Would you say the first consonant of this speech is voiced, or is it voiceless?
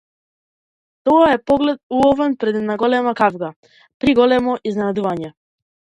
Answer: voiceless